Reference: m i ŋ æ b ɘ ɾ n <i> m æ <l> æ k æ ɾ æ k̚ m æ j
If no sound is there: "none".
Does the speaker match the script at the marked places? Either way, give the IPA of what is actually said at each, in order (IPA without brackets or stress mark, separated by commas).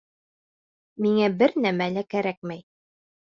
æ, l